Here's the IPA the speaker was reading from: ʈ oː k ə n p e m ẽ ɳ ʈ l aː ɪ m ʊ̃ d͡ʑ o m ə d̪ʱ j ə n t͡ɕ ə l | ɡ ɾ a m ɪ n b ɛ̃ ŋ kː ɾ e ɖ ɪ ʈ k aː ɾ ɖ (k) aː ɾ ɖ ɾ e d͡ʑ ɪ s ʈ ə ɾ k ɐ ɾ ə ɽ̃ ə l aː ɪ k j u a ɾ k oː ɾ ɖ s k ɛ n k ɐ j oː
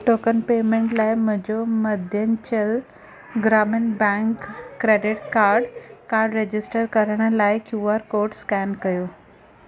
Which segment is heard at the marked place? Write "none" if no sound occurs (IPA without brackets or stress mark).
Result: k